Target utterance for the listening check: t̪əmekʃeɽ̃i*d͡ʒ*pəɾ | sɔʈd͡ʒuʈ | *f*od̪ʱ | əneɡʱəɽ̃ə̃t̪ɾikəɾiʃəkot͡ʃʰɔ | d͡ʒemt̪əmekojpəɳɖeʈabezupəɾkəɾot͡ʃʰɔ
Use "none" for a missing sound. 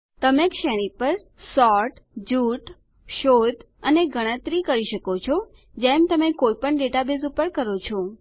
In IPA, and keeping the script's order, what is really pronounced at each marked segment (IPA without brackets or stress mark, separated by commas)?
none, ʃ